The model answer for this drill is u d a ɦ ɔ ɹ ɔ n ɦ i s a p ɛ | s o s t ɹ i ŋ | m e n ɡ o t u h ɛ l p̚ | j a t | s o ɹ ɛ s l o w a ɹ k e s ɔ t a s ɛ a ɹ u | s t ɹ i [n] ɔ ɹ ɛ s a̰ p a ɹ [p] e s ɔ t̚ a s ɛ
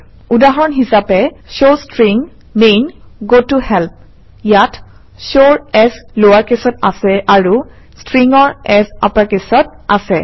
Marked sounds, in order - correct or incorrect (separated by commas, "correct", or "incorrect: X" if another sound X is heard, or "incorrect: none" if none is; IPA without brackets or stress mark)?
incorrect: ŋ, incorrect: k